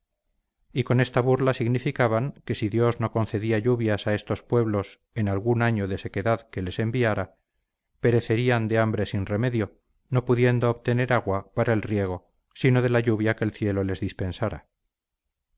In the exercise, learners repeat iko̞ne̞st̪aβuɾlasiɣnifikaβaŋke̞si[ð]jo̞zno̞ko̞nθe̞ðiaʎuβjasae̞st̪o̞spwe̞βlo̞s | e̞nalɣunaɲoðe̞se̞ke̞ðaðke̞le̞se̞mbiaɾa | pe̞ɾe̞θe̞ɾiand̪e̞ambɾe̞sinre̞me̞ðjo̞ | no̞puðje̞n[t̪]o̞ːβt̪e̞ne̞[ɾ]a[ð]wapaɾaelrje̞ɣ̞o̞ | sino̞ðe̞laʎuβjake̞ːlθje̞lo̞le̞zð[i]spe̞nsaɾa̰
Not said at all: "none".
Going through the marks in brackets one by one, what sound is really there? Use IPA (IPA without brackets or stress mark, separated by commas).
ð, d̪, ɾ, ɣ, i